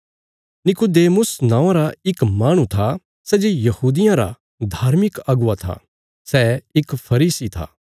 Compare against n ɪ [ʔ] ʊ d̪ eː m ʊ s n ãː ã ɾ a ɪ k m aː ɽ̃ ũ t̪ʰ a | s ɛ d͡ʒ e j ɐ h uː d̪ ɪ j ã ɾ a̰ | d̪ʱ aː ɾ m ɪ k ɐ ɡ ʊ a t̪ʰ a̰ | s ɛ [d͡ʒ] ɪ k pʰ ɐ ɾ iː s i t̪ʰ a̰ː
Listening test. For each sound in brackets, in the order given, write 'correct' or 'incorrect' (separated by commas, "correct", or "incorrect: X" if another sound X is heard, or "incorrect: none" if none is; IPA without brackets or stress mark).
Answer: incorrect: k, incorrect: none